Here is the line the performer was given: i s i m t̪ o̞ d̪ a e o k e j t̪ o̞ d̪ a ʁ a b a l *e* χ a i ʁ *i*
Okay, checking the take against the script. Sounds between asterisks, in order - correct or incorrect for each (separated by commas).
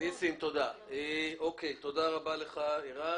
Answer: correct, incorrect